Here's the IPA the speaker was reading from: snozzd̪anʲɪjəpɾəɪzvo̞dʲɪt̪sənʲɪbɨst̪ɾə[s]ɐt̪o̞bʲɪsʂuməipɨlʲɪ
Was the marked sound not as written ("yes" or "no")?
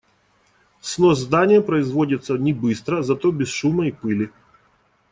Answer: yes